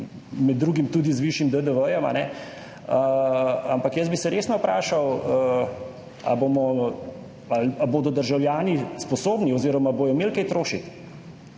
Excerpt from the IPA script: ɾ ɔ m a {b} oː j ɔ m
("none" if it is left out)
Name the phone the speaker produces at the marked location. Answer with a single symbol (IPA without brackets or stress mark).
b